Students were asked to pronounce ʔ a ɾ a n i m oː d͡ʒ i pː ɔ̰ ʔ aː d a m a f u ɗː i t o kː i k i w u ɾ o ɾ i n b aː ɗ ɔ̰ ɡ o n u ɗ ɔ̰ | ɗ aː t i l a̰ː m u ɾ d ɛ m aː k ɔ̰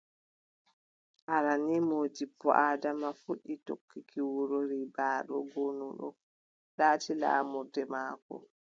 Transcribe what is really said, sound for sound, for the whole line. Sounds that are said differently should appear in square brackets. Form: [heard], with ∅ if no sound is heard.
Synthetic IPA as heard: ʔ a ɾ a n i m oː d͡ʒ i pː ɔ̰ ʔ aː d a m a f u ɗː i t o kː i k i w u ɾ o ɾ i [∅] b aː ɗ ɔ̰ ɡ o n u ɗ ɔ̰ | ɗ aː t i l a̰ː m u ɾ d ɛ m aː k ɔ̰